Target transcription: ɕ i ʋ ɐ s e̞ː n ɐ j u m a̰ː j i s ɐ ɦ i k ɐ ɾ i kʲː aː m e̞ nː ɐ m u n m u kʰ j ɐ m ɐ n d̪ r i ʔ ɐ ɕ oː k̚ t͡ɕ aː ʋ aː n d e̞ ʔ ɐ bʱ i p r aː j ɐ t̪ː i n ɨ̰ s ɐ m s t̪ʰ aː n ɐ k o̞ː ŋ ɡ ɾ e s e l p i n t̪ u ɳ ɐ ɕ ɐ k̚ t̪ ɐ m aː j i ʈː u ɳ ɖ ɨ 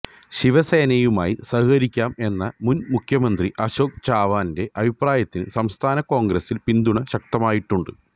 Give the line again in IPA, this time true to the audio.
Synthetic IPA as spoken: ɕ i ʋ ɐ s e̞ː n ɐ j u m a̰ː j i s ɐ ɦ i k ɐ ɾ i kʲː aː m e̞ nː ɐ m u n m u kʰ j ɐ m ɐ n d̪ r i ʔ ɐ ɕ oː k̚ t͡ɕ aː ʋ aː n d e̞ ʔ ɐ bʱ i p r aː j ɐ t̪ː i n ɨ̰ s ɐ m s t̪ʰ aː n ɐ k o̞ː ŋ ɡ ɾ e s i l p i n d̪ u ɳ ɐ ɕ ɐ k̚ t̪ ɐ m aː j i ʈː u ɳ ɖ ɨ